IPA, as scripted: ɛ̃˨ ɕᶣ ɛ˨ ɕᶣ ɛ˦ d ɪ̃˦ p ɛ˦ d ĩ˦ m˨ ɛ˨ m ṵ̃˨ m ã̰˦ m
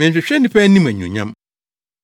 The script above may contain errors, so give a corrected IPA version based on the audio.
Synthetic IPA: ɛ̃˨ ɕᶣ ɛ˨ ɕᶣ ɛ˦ n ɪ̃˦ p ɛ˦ n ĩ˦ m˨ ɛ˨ ɲ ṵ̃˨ ɲ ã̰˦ m